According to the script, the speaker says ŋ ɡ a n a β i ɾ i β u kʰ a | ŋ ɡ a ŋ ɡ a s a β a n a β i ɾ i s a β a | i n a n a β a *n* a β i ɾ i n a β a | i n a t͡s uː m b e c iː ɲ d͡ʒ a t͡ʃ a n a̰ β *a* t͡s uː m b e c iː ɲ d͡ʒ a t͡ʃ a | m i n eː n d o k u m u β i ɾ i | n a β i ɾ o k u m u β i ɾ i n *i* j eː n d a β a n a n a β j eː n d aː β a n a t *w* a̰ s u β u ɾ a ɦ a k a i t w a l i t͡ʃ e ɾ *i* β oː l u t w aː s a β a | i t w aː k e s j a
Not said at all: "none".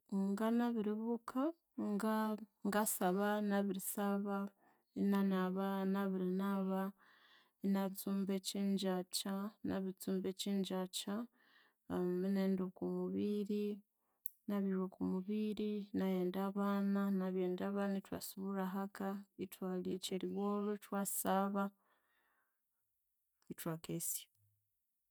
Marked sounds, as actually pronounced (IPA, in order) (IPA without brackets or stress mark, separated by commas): n, i, a, w, i